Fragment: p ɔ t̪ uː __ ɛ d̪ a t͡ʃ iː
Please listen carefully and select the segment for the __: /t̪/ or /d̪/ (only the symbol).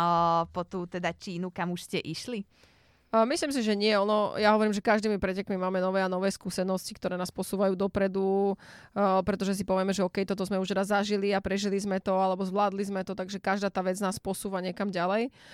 t̪